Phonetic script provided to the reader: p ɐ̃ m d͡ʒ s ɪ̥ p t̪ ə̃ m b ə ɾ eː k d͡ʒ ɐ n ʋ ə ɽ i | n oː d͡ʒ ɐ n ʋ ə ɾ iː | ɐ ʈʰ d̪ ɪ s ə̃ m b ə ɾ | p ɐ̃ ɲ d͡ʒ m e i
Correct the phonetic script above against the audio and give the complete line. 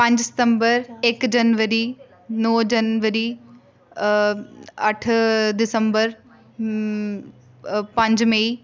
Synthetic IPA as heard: p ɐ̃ ɲ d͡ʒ s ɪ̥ t̪ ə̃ m b ə ɾ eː k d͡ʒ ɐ n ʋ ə ɾ i | n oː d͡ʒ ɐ n ʋ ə ɾ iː | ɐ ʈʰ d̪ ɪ s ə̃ m b ə ɾ | p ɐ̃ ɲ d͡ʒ m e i